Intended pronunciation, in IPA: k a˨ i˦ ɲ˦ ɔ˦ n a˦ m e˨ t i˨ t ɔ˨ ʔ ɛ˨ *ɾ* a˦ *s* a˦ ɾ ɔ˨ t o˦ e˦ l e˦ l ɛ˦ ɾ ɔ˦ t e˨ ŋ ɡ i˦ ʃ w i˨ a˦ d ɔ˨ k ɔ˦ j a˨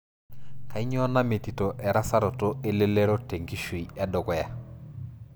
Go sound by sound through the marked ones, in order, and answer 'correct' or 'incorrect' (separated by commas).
correct, correct